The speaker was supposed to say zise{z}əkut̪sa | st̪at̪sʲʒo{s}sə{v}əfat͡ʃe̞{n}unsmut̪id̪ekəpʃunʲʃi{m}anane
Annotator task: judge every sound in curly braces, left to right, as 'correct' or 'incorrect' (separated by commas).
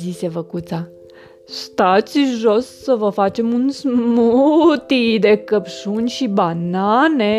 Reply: incorrect, correct, correct, incorrect, incorrect